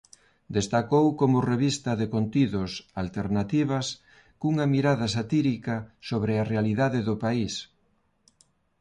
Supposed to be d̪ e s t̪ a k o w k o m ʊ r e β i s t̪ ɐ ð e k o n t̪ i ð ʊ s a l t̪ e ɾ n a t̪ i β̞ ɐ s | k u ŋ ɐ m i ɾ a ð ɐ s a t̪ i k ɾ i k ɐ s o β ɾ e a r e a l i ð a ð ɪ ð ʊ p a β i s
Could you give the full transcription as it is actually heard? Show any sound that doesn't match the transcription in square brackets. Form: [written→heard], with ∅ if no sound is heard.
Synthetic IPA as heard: d̪ e s t̪ a k o w k o m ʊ r e β i s t̪ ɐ ð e k o n t̪ i ð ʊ s a l t̪ e ɾ n a t̪ i β̞ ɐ s | k u ŋ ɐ m i ɾ a ð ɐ s a t̪ i [k→∅] ɾ i k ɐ s o β ɾ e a r e a l i ð a ð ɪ ð ʊ p a [β→∅] i s